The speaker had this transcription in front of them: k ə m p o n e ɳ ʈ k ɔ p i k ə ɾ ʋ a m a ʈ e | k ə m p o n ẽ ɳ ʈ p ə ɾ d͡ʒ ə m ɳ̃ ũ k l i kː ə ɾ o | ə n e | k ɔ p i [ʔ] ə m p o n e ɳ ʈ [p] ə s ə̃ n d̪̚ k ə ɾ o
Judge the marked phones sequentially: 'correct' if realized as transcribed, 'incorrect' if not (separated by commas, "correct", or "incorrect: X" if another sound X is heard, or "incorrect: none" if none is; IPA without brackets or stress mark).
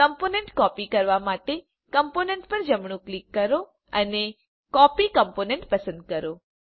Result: incorrect: k, correct